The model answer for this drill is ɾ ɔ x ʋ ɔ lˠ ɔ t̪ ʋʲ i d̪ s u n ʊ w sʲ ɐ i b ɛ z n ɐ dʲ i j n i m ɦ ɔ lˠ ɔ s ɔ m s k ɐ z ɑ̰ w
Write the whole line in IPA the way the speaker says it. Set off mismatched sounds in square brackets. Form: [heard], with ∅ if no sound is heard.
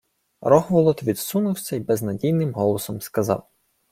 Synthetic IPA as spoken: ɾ ɔ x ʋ ɔ lˠ ɔ t̪ ʋʲ i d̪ s u n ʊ w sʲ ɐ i b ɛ z n ɐ dʲ i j n [ɪ] m ɦ ɔ lˠ ɔ s ɔ m s k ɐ z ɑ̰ w